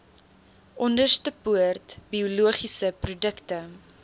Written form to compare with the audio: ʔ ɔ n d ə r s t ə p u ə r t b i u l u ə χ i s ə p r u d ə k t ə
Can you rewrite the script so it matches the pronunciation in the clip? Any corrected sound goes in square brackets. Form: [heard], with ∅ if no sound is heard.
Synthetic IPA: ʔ ɔ n d ə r s t ə p u ə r t b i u l u ə χ i s ə p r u d ə k t ə